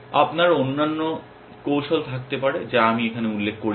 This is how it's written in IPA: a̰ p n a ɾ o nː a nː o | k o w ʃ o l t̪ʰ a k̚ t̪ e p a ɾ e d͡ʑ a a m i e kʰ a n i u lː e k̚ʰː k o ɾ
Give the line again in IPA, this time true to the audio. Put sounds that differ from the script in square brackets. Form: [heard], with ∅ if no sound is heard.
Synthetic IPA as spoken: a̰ p n a ɾ o nː a nː o | k o w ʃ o l t̪ʰ a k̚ t̪ e p a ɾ e d͡ʑ a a m i e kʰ a n [e] u lː e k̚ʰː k o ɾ